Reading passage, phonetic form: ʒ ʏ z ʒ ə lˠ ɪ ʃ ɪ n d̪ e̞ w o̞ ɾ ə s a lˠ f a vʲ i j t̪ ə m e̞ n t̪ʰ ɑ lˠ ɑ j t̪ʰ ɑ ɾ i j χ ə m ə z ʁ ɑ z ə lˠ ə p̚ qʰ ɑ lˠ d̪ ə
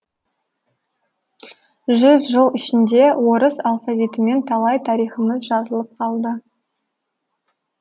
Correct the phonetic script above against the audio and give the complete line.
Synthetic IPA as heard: ʒ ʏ z ʒ ə lˠ ɪ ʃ ɪ n d̪ e̞ w o̞ ɾ ə s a lˠ f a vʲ i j t̪ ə m e̞ n t̪ʰ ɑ lˠ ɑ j t̪ʰ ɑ ɾ i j χ ə m ə z ʒ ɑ z ə lˠ ə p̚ qʰ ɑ lˠ d̪ ə